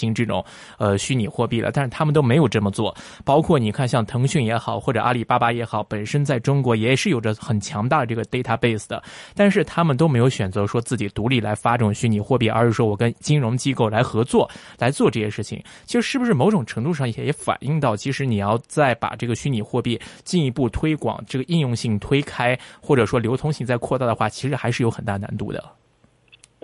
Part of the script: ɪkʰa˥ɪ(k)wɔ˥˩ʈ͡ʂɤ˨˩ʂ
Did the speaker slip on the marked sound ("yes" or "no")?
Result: yes